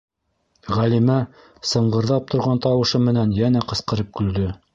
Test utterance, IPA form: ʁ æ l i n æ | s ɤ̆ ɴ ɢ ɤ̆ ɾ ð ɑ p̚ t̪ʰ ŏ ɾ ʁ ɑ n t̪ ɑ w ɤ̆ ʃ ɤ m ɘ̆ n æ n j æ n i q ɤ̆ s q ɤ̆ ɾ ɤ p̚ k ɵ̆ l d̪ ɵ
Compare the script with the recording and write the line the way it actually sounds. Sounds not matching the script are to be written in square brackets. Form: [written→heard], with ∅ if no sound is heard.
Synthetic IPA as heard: ʁ æ l i [n→m] æ | s ɤ̆ ɴ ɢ ɤ̆ ɾ ð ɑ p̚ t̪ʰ ŏ ɾ ʁ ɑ n t̪ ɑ w ɤ̆ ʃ ɤ m ɘ̆ n æ n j æ n [i→æ] q ɤ̆ s q ɤ̆ ɾ ɤ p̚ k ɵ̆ l d̪ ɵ

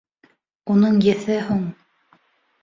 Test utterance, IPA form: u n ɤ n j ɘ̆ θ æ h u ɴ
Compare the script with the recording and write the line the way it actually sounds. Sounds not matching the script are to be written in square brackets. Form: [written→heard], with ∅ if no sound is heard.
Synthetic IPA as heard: u n ɤ [n→ɴ] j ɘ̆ θ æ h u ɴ

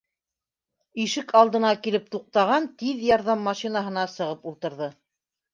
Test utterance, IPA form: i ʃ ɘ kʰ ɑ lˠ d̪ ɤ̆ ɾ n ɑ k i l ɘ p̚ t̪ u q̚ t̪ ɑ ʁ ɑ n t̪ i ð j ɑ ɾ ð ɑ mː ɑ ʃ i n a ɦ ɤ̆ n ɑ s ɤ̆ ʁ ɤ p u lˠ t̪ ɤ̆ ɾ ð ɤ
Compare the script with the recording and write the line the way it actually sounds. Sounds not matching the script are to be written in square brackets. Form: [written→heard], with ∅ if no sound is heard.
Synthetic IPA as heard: i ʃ ɘ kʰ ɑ lˠ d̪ ɤ̆ [ɾ→∅] n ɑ k i l ɘ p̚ t̪ u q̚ t̪ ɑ ʁ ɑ n t̪ i ð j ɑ ɾ ð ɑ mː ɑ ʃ i n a ɦ ɤ̆ n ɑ s ɤ̆ ʁ ɤ p u lˠ t̪ ɤ̆ ɾ ð ɤ

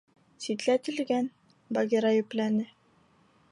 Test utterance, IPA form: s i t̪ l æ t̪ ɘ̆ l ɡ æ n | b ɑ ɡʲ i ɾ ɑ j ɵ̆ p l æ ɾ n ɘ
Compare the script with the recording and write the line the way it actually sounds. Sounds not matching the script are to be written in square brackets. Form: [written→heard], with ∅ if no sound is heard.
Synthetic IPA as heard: s i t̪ l æ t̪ ɘ̆ l ɡ æ n | b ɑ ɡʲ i ɾ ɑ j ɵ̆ p l æ [ɾ→∅] n ɘ

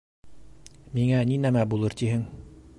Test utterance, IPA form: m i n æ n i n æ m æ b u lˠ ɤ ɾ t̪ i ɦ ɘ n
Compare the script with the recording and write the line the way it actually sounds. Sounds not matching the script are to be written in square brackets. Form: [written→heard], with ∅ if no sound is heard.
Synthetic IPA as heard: m i [n→ŋ] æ n i n æ m æ b u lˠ ɤ ɾ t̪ i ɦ ɘ [n→ŋ]

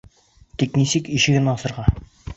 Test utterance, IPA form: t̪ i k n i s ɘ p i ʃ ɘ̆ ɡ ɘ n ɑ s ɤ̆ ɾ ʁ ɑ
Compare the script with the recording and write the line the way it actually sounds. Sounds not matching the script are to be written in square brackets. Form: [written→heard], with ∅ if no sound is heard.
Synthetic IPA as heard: t̪ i k n i s ɘ [p→k] i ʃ ɘ̆ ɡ ɘ n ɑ s ɤ̆ ɾ ʁ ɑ

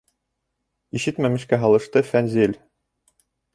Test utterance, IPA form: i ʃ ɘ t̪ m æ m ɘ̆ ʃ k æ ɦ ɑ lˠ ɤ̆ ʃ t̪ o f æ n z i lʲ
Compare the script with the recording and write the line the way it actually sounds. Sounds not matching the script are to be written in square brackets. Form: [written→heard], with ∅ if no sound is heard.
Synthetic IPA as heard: i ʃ ɘ t̪ m æ m ɘ̆ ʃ k æ ɦ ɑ lˠ ɤ̆ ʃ t̪ [o→ɤ] f æ n z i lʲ

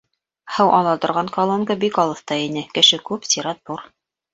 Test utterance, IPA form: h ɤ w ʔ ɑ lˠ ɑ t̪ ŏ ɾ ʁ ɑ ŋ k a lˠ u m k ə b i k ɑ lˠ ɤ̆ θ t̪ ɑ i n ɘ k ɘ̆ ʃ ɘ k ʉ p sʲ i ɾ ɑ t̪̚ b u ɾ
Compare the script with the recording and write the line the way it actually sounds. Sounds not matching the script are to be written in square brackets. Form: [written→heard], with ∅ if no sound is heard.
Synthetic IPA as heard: h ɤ w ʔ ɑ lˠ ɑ t̪ ŏ ɾ ʁ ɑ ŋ k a lˠ [u→o] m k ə b i k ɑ lˠ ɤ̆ θ t̪ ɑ i n ɘ k ɘ̆ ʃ ɘ k ʉ p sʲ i ɾ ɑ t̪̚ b u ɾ

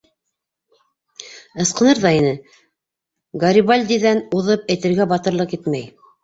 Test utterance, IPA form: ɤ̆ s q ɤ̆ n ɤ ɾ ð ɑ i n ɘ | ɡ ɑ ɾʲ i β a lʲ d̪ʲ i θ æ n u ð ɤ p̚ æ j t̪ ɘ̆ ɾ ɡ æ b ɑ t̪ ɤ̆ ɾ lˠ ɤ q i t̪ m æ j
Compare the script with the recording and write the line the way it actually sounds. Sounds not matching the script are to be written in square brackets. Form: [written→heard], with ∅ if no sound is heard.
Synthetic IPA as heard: ɤ̆ s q ɤ̆ n ɤ ɾ ð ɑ i n ɘ | ɡ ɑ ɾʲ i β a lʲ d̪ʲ i [θ→ð] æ n u ð ɤ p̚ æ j t̪ ɘ̆ ɾ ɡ æ b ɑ t̪ ɤ̆ ɾ lˠ ɤ q i t̪ m æ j

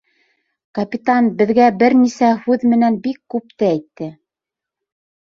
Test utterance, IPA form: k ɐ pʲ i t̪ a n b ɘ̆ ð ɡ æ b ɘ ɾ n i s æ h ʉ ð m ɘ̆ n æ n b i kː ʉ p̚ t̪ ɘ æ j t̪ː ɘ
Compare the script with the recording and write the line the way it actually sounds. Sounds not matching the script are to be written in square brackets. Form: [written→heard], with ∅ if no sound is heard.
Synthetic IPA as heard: k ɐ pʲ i t̪ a n b ɘ̆ ð ɡ æ b ɘ ɾ n i s æ h ʉ ð m ɘ̆ n æ n b i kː ʉ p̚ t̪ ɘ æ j t̪ː ɘ

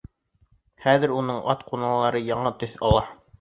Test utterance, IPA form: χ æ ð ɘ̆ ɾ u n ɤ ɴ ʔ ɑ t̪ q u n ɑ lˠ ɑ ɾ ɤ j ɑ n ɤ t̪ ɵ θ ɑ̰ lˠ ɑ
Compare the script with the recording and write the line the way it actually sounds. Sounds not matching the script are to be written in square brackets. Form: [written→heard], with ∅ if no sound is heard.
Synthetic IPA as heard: χ æ ð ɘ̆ ɾ u n ɤ ɴ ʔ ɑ t̪ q u n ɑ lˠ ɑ ɾ ɤ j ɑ [n→ɴ] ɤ t̪ ɵ θ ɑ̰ lˠ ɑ

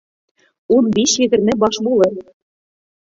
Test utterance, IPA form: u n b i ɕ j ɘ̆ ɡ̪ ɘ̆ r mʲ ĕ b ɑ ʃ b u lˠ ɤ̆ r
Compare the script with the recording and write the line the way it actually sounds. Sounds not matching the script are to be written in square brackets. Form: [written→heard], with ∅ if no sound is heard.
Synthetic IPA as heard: u n b i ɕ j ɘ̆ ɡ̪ ɘ̆ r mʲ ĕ b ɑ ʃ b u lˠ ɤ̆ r

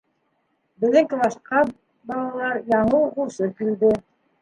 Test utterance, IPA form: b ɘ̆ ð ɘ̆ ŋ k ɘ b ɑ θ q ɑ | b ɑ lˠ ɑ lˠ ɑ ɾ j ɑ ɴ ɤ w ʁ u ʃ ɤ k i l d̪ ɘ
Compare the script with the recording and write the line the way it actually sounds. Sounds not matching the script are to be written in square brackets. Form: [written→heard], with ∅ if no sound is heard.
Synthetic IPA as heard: b ɘ̆ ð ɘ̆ ŋ k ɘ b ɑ [θ→ʃ] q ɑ | b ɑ lˠ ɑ lˠ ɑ ɾ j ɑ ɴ ɤ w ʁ u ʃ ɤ k i l d̪ ɘ

